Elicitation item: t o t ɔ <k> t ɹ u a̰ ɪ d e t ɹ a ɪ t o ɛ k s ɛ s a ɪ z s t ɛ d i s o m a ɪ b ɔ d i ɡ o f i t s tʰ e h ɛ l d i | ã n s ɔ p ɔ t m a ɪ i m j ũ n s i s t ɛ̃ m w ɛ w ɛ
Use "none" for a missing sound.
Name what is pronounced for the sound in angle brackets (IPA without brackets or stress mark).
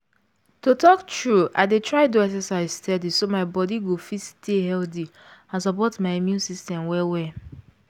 k